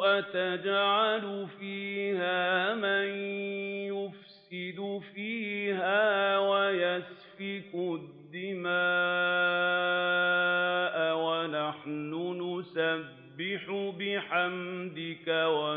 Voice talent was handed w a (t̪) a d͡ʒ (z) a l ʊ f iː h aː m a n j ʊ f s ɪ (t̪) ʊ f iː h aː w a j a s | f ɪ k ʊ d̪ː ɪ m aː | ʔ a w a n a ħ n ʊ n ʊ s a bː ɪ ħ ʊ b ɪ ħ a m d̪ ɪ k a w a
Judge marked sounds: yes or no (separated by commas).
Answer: yes, no, no